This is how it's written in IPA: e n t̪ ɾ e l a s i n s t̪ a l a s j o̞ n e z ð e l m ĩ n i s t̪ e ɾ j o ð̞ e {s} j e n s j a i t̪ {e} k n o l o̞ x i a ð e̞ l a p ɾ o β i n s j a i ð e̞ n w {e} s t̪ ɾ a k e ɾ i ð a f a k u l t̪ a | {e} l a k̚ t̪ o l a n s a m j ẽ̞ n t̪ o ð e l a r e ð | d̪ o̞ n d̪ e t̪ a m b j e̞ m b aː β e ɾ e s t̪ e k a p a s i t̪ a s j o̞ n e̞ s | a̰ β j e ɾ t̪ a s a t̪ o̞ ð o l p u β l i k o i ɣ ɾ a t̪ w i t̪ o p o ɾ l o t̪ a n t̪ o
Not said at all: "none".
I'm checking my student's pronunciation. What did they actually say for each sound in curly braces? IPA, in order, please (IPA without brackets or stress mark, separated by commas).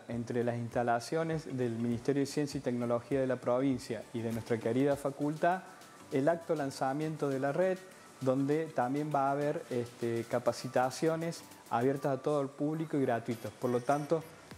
s, e, e, e